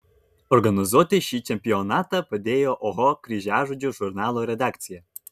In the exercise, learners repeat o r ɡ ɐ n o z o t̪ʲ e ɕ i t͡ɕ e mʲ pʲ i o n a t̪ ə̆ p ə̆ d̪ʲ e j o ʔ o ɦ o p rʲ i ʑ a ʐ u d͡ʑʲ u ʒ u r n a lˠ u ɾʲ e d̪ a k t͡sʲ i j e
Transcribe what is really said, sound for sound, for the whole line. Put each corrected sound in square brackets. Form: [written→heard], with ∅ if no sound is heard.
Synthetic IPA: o r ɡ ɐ n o z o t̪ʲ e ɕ i t͡ɕ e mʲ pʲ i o n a t̪ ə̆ p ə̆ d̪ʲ e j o ʔ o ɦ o [p→k] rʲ i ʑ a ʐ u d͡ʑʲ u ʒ u r n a lˠ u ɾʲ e d̪ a k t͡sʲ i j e